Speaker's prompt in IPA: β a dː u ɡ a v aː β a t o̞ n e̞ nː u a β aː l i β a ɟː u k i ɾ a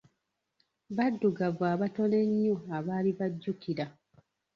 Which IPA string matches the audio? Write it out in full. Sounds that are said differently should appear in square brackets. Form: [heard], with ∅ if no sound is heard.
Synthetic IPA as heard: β a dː u ɡ a v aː β a t o̞ n e̞ [ɲː] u a β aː l i β a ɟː u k i ɾ a